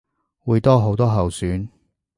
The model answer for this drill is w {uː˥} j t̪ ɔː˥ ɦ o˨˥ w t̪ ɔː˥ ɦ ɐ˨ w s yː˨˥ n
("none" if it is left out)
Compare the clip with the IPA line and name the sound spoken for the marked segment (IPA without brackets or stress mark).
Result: uː˨˧